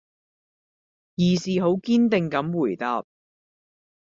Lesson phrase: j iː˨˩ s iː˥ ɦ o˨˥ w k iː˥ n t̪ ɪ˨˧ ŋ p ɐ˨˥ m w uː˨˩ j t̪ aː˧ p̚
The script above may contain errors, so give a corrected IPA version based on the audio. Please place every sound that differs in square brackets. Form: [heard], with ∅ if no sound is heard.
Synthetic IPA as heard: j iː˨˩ s [iː˨] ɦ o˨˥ w k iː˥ n t̪ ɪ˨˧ ŋ [k] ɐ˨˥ m w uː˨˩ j t̪ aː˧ p̚